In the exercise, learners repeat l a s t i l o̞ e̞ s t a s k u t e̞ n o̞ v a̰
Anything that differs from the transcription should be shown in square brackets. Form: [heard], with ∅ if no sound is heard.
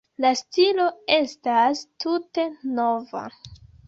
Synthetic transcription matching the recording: l a s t i l o̞ e̞ s t a s [t] u t e̞ n o̞ v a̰